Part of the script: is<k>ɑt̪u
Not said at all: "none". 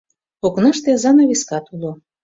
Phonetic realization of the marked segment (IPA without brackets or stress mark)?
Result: k